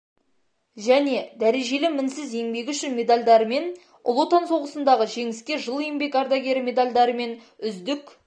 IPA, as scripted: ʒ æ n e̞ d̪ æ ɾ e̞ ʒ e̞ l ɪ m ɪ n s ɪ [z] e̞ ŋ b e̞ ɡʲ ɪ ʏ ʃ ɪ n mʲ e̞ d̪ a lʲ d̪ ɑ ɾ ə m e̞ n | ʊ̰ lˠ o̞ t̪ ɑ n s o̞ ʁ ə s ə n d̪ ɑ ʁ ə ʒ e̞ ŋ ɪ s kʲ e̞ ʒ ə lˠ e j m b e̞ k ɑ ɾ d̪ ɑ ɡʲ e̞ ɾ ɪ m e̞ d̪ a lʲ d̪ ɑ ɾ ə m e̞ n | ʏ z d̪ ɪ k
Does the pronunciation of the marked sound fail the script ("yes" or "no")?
no